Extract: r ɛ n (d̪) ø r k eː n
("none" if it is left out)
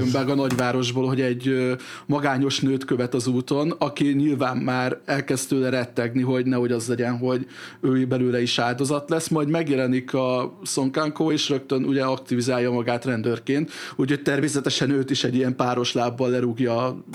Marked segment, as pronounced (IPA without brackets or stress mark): d̪